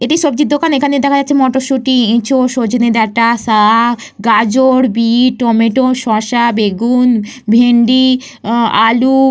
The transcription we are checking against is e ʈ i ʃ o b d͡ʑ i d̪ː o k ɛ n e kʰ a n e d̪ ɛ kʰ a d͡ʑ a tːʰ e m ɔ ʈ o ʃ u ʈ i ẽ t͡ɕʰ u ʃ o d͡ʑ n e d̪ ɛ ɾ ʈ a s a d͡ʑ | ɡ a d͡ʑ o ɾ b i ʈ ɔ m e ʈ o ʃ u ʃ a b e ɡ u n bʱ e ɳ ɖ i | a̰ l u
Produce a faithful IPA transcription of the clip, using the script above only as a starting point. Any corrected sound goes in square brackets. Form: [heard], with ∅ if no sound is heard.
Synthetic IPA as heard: e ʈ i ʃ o b d͡ʑ i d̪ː o k [a] n e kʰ a n e d̪ ɛ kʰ a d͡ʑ a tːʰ e m ɔ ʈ o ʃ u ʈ i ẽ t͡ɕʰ [o] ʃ o d͡ʑ n e d̪ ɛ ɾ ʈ a s a [∅] | ɡ a d͡ʑ o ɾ b i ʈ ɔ m e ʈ o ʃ [ɔ] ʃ a b e ɡ u n bʱ e ɳ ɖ i | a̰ l u